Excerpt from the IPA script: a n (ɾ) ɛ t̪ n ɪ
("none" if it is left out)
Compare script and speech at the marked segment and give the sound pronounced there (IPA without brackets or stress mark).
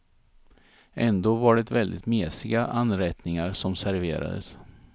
ɾ